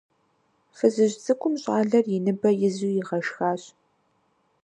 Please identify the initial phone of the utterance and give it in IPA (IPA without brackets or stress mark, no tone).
f